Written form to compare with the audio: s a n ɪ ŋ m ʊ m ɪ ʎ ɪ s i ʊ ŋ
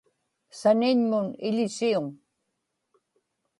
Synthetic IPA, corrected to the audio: s a n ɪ ɲ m ʊ n ɪ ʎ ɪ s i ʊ ŋ